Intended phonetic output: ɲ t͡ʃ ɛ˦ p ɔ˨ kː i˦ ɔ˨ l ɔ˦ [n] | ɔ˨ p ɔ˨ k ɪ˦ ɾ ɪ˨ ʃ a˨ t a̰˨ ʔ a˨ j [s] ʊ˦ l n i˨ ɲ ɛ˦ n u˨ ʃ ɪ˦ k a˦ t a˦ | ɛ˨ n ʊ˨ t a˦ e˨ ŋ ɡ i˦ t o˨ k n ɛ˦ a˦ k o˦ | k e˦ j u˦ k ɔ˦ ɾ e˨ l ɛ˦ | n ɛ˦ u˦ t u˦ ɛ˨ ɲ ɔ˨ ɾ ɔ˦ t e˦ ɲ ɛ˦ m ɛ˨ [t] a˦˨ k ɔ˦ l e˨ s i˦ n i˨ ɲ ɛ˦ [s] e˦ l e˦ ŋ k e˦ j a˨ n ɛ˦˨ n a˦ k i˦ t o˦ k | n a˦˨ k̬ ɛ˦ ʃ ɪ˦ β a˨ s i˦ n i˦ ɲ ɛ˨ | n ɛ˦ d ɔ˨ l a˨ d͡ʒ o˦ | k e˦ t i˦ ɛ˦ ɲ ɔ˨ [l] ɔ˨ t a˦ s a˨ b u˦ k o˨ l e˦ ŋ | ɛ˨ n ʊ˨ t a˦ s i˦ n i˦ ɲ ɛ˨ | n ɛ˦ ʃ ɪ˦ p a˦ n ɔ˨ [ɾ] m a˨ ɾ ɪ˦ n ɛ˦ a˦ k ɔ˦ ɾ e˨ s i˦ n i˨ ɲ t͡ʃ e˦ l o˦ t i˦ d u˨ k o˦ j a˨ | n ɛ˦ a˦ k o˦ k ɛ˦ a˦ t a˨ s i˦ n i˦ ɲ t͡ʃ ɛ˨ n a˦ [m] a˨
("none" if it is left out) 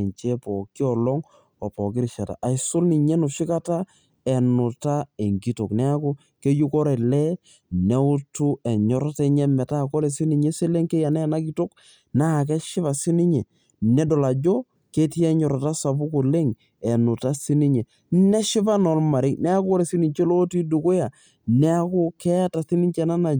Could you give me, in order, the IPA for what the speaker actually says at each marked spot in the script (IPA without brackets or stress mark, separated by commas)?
ŋ, s, t, s, ɾ, l, n